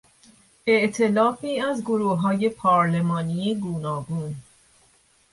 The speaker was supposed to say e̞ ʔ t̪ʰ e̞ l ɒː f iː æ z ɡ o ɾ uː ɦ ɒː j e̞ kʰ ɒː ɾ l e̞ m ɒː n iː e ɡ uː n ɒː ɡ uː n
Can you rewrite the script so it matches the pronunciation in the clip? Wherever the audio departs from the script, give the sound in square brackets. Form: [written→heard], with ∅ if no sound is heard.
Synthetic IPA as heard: e̞ ʔ t̪ʰ e̞ l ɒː f iː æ z ɡ o ɾ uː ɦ ɒː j e̞ [kʰ→pʰ] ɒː ɾ l e̞ m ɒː n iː e ɡ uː n ɒː ɡ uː n